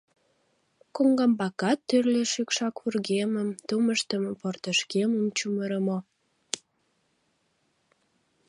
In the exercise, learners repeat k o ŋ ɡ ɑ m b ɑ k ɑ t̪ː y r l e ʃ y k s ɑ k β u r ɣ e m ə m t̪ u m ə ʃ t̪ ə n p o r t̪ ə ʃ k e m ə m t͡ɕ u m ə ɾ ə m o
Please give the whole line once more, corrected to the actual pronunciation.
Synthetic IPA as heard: k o ŋ ɡ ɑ m b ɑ k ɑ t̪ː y r l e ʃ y k ʃ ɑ k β u r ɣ e m ə m t̪ u m ə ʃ t̪ ə m p o r t̪ ə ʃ k e m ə m t͡ɕ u m ə ɾ ə m o